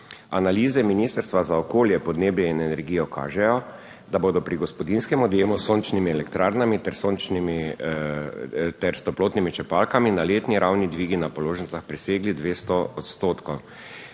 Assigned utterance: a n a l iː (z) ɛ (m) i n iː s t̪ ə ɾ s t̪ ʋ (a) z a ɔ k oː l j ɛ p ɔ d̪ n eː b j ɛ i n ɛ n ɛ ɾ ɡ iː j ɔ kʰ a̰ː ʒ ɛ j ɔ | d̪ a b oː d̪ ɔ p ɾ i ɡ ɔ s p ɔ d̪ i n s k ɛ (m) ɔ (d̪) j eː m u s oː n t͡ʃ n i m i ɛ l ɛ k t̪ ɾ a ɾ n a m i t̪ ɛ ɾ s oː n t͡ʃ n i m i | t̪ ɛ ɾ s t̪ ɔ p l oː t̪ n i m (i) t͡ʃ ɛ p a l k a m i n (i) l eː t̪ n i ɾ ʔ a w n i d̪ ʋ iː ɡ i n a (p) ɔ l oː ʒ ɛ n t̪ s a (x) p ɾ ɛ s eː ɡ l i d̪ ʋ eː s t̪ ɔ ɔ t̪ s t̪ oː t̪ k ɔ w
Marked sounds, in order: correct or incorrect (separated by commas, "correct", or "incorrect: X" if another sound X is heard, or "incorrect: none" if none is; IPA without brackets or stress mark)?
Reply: correct, correct, correct, correct, correct, correct, incorrect: a, correct, correct